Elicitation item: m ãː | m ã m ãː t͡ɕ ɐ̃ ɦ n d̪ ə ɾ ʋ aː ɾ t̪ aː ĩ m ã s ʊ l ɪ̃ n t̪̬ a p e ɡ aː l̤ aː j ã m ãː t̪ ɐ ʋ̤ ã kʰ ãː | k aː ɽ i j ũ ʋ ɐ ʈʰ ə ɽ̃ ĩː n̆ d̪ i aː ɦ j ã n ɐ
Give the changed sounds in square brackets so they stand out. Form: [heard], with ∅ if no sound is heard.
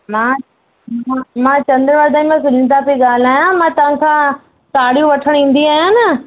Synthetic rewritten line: m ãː | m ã m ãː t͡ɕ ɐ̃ [∅] n d̪ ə ɾ ʋ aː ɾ [d̪] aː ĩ m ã s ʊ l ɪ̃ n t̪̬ a p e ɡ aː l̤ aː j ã m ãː t̪ ɐ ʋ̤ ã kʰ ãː | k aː ɽ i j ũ ʋ ɐ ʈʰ ə ɽ̃ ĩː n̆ d̪ i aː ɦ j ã n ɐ